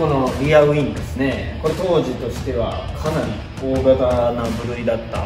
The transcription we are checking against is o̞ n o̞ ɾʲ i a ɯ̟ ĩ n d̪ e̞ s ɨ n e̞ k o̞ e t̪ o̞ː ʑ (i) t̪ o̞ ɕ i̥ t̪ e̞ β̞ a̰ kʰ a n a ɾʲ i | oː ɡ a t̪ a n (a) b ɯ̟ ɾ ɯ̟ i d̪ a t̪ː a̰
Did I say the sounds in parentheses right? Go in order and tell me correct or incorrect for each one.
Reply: correct, correct

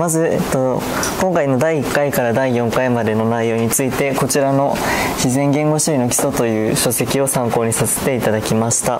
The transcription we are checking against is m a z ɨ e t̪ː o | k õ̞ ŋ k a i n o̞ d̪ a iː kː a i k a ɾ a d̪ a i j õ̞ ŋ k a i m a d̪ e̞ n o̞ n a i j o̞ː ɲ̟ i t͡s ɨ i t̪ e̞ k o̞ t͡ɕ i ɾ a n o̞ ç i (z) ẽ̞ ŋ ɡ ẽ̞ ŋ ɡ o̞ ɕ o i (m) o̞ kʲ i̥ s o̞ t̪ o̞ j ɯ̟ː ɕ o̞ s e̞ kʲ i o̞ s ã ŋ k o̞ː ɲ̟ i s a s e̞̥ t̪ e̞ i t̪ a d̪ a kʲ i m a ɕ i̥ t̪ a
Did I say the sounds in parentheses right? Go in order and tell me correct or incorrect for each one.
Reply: correct, incorrect: n

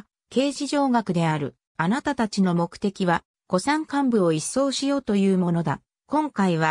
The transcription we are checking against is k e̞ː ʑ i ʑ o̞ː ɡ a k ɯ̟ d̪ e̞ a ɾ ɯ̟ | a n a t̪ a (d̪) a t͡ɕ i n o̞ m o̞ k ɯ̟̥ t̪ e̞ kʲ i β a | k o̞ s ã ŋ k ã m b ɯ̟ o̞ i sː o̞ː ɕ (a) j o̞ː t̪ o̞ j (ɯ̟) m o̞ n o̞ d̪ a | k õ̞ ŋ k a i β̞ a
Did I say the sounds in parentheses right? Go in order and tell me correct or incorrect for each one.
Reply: incorrect: t̪, incorrect: i, incorrect: ɯ̟ː

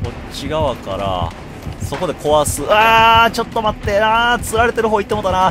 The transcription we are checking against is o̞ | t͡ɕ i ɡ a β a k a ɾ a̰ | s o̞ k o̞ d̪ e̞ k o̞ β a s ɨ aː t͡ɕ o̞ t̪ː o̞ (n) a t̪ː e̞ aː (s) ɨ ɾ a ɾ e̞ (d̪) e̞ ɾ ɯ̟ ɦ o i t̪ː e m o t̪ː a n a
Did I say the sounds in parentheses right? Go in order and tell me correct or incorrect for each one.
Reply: incorrect: m, incorrect: t͡s, incorrect: t̪

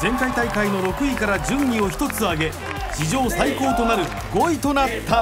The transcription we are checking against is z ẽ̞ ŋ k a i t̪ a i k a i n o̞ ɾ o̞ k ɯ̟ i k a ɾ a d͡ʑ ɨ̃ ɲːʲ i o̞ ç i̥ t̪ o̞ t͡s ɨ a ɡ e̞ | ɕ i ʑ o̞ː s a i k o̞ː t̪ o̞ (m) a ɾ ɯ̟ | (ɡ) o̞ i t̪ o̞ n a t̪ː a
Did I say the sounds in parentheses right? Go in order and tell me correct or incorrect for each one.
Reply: incorrect: n, correct

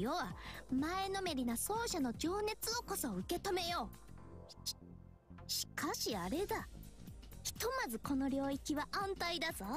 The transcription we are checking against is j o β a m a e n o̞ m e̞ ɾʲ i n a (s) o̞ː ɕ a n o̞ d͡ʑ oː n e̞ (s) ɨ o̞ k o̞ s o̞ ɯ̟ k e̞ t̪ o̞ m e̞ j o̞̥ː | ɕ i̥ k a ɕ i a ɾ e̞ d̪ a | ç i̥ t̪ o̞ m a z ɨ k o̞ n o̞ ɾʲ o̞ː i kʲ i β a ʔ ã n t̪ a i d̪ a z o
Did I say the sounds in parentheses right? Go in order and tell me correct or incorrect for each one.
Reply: correct, incorrect: t͡s

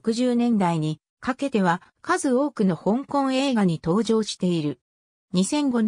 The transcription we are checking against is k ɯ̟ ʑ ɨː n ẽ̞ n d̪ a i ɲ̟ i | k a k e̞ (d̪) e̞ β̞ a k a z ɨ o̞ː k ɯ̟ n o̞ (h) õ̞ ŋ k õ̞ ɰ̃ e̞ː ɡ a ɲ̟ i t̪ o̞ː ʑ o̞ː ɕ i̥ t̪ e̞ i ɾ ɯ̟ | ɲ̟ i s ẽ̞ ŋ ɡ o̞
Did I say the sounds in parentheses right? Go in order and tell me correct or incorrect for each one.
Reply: incorrect: t̪, correct

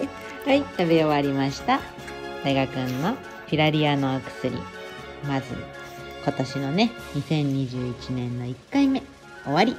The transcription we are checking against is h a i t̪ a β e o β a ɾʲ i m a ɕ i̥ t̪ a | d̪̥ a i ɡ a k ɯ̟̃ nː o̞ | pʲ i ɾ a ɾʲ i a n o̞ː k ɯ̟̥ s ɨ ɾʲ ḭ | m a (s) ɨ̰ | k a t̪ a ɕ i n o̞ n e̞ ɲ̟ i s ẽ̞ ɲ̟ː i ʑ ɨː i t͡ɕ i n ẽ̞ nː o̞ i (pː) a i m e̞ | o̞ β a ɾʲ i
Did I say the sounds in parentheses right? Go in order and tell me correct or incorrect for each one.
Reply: incorrect: z, incorrect: kː

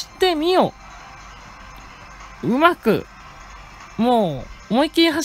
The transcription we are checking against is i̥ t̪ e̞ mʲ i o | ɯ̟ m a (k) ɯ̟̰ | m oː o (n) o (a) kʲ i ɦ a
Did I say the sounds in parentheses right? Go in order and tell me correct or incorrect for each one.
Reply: correct, incorrect: m, incorrect: i

